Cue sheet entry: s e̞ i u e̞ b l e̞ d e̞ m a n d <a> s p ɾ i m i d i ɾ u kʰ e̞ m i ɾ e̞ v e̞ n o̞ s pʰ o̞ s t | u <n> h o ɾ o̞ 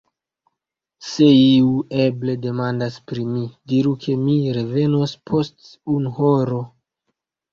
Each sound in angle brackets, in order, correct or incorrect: correct, correct

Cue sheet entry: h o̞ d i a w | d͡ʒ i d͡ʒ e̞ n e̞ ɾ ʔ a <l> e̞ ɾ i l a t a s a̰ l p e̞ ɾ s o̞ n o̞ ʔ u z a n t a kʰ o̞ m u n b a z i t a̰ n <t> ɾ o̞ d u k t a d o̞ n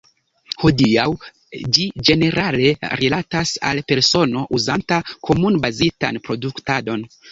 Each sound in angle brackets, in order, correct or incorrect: correct, incorrect

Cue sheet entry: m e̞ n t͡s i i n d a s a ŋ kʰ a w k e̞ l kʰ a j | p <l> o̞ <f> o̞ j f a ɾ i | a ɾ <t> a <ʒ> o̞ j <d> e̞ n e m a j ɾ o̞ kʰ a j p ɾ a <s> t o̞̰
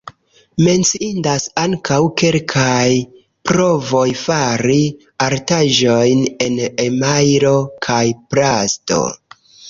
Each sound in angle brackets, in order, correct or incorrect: incorrect, incorrect, correct, correct, incorrect, correct

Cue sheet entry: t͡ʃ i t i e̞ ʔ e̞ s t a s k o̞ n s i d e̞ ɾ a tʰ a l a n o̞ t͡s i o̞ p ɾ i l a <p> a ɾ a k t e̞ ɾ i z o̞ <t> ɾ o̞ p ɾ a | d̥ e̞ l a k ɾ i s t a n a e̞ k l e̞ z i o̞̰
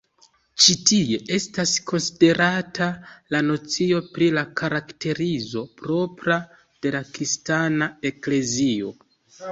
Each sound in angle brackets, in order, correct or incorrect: incorrect, incorrect

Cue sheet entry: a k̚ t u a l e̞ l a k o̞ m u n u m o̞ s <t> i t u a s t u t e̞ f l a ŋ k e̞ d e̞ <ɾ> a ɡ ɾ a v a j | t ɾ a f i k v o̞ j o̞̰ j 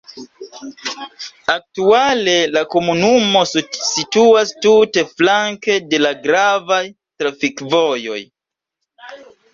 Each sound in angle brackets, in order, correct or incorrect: incorrect, incorrect

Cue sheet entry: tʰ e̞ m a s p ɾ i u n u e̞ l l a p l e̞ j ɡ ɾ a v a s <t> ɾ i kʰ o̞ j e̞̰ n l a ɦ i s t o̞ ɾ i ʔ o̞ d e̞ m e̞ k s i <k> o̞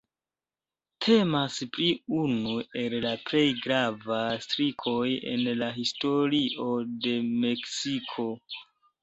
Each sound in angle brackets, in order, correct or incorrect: correct, incorrect

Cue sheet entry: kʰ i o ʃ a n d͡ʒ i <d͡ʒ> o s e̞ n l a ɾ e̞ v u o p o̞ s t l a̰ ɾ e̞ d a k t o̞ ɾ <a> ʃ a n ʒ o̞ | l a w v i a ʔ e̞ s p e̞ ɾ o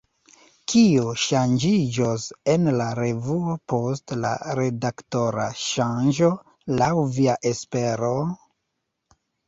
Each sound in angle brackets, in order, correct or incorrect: correct, correct

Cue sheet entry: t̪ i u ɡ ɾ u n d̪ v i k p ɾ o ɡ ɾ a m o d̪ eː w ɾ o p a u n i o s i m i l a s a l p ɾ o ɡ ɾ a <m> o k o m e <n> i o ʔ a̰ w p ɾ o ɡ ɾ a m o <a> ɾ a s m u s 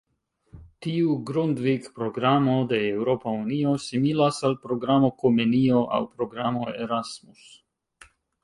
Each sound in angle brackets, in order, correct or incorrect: correct, correct, incorrect

